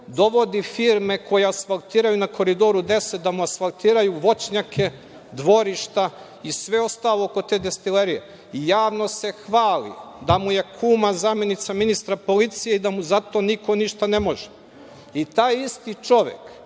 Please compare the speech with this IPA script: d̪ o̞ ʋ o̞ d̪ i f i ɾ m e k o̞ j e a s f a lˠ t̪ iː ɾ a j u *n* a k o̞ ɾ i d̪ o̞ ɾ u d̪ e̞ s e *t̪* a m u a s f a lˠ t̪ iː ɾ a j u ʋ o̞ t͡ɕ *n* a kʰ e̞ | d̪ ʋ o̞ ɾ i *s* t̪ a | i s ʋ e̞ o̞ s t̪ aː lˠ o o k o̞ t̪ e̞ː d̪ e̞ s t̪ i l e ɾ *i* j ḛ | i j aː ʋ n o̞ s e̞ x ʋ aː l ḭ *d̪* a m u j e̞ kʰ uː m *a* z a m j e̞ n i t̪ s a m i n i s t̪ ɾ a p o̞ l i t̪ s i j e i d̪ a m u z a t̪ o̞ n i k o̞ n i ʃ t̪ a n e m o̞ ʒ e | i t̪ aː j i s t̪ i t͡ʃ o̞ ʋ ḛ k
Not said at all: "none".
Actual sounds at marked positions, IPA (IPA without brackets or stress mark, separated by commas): n, d̪, ɲ, ʃ, i, d̪, a